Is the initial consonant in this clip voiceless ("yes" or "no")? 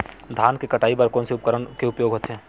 no